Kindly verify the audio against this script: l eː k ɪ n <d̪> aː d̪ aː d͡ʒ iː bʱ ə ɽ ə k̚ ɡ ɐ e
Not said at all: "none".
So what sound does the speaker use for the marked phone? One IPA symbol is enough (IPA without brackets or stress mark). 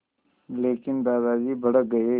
d̪